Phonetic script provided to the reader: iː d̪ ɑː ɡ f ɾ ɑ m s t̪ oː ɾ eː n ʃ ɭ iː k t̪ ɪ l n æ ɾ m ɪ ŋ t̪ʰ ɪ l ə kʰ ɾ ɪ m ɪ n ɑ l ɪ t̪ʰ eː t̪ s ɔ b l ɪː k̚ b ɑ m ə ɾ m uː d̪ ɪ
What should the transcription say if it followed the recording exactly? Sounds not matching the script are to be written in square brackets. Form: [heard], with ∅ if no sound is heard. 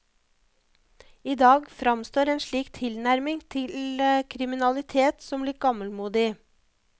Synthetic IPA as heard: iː d̪ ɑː ɡ f ɾ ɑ m s t̪ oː ɾ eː n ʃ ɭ iː k [t̪ʰ] ɪ l n æ ɾ m ɪ ŋ t̪ʰ ɪ l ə kʰ ɾ ɪ m ɪ n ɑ l ɪ t̪ʰ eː t̪ s ɔ [m] l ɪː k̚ [ɡ] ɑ m ə [l] m uː d̪ ɪ